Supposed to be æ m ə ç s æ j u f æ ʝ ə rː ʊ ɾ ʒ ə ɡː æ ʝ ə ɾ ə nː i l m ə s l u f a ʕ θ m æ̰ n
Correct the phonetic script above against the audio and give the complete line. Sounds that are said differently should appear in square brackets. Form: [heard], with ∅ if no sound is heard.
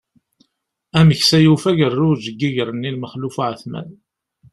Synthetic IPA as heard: æ m ə ç s æ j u f æ ʝ ə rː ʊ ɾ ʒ ə ɡː [i] ʝ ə ɾ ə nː i l m ə [χ] l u f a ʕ θ m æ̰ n